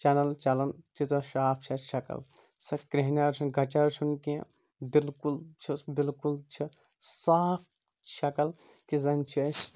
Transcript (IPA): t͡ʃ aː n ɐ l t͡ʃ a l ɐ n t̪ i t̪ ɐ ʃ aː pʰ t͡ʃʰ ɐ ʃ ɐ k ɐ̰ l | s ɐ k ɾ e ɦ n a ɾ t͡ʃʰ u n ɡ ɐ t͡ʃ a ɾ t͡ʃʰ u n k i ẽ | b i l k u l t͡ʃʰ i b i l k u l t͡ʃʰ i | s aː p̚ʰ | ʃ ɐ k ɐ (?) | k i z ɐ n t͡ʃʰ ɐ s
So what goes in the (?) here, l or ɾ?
l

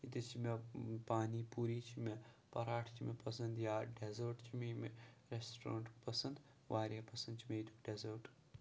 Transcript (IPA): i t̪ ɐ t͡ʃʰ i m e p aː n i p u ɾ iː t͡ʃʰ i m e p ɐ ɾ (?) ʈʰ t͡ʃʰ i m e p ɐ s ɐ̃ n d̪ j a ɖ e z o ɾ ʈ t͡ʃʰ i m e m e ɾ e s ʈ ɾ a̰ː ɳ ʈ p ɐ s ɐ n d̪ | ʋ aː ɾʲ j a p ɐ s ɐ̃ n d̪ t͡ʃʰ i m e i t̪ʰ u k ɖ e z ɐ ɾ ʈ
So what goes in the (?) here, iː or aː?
aː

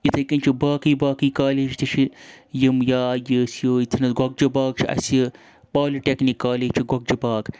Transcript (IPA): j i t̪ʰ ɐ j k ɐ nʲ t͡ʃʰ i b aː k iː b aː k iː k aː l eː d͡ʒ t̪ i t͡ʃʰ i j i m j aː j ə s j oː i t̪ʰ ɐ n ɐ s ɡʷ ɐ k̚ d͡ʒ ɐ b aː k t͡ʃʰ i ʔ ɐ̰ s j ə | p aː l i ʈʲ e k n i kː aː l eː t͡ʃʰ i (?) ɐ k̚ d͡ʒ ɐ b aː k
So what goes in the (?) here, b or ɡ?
ɡ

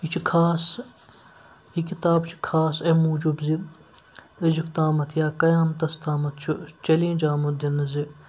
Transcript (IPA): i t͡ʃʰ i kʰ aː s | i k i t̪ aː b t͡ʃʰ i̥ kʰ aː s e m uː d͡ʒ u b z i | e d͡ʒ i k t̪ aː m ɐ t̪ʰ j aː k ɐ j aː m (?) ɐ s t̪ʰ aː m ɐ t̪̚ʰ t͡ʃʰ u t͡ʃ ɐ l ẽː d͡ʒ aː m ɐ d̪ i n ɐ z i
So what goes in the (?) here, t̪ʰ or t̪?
t̪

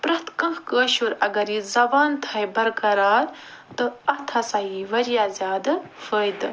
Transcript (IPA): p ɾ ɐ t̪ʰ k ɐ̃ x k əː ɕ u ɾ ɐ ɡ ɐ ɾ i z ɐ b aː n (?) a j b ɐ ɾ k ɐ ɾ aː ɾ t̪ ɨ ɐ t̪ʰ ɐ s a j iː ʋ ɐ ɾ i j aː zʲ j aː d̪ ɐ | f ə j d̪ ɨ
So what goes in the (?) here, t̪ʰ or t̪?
t̪ʰ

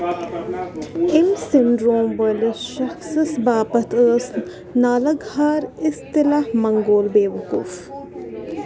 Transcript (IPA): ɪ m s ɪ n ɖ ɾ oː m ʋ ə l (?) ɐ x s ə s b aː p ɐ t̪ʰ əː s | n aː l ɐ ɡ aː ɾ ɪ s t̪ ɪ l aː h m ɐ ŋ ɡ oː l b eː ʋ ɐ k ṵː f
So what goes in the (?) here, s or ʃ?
ʃ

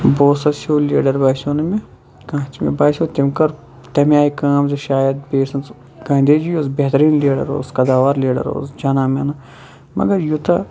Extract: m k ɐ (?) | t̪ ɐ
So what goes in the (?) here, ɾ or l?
ɾ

